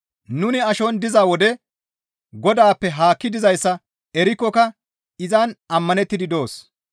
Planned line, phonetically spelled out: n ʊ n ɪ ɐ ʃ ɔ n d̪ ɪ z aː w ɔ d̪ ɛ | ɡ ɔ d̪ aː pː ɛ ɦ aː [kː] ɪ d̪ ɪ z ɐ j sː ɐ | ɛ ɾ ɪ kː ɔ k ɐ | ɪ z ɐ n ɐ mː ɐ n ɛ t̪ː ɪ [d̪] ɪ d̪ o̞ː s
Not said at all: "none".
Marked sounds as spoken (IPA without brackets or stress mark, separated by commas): kː, d̪